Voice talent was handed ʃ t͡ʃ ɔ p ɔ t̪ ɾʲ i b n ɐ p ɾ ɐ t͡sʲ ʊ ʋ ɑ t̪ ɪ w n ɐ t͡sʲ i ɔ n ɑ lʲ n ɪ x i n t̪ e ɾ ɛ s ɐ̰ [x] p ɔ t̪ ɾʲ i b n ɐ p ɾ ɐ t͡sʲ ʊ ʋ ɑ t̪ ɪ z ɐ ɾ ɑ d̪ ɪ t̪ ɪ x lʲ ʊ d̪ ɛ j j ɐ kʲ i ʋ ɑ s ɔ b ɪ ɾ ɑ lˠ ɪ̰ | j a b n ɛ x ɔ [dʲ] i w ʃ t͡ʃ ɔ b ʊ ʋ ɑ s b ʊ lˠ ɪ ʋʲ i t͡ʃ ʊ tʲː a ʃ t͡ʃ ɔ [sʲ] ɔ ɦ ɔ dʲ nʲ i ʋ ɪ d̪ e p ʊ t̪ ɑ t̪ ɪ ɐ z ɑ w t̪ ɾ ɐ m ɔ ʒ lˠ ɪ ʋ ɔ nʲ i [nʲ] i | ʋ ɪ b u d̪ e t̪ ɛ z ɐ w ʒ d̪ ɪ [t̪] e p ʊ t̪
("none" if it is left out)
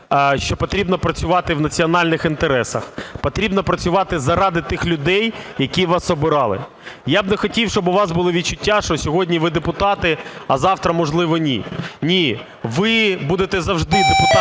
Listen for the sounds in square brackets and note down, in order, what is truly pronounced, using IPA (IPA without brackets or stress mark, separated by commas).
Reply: x, tʲ, sʲ, nʲ, d̪